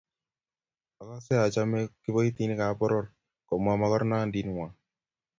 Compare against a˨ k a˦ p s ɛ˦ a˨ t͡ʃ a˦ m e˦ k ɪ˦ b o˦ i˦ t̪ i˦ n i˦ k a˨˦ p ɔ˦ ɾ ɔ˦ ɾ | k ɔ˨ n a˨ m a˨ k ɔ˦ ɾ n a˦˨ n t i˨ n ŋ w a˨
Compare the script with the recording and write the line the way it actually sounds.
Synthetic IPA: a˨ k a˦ s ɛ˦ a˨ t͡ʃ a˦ m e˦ k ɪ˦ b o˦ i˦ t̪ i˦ n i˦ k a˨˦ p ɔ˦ ɾ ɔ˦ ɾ | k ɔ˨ m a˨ m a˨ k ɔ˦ ɾ n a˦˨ n d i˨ n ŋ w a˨